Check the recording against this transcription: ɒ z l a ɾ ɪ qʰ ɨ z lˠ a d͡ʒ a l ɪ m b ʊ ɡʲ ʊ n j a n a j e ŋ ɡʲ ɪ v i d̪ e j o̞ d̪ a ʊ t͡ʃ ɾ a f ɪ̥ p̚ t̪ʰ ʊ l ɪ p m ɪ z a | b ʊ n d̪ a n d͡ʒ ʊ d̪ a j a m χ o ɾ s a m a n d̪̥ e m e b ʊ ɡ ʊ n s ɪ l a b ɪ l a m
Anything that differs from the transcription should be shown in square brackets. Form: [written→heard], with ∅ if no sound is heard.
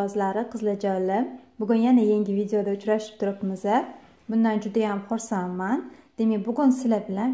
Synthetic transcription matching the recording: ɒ z l a ɾ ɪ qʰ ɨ z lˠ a d͡ʒ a l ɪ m b ʊ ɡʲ ʊ n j a n a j e ŋ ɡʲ ɪ v i d̪ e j o̞ d̪ a ʊ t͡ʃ ɾ a [f→ʃ] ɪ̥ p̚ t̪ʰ ʊ [l→ɾ] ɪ p m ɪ z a | b ʊ n d̪ a n d͡ʒ ʊ d̪ a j a m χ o ɾ s a m a n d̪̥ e m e b ʊ ɡ ʊ n s ɪ l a b ɪ l a [m→n]